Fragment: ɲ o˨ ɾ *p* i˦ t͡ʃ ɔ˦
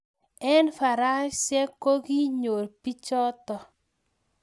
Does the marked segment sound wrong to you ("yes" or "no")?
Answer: no